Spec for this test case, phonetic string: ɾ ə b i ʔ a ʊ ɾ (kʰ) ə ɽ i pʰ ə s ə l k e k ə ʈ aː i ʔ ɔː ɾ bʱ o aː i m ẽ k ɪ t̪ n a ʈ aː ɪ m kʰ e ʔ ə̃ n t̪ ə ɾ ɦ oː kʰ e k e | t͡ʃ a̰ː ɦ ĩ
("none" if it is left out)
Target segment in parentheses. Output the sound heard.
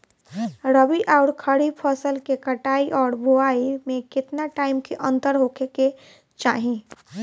kʰ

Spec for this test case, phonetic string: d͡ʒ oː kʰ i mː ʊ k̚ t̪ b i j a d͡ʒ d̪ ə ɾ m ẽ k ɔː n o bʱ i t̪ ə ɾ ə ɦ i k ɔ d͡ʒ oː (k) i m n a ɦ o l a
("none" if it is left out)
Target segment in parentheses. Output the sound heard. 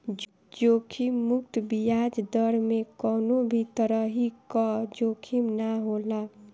kʰ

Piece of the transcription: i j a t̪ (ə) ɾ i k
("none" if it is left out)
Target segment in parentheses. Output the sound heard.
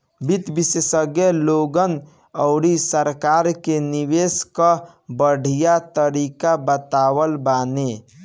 ə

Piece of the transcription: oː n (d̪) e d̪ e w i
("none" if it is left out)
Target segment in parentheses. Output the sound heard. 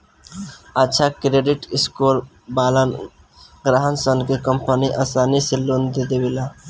d̪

